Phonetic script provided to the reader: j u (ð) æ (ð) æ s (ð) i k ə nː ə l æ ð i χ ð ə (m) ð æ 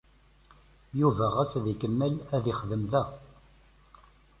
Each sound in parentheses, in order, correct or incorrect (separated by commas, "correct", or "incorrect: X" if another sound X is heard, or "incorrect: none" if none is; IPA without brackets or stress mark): incorrect: v, incorrect: ʁ, correct, correct